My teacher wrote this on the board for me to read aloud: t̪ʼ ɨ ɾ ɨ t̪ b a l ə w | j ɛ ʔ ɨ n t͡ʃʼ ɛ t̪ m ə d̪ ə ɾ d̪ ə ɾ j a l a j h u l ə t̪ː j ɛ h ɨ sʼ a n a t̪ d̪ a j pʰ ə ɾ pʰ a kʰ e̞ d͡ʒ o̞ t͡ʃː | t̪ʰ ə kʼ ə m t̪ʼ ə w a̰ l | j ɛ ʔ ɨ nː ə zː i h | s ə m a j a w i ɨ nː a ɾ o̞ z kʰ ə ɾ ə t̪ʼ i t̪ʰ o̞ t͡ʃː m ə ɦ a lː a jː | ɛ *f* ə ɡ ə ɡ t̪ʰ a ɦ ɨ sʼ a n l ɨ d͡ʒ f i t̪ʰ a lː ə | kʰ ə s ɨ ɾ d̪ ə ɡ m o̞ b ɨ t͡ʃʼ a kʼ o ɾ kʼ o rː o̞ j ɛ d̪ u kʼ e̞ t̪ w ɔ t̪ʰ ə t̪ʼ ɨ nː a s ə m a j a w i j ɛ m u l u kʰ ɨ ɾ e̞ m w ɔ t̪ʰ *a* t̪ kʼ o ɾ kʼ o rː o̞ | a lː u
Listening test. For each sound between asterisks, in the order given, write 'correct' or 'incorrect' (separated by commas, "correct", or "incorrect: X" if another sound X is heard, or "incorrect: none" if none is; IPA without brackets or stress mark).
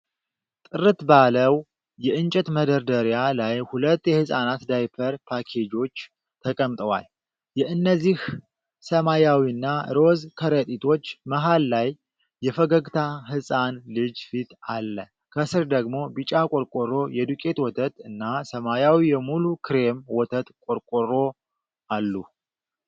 correct, incorrect: ə